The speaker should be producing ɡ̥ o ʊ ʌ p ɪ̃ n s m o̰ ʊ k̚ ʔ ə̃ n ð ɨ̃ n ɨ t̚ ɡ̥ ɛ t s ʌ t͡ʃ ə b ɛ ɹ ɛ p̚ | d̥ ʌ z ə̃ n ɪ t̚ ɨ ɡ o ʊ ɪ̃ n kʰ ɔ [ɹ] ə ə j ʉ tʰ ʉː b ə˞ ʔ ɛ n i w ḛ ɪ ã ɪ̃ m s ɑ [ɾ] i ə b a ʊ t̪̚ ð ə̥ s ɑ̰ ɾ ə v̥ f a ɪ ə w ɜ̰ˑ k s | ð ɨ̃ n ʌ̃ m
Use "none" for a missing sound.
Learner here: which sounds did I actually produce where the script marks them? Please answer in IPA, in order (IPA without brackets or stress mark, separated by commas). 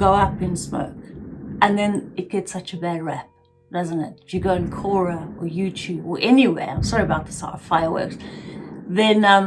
ɹ, ɹ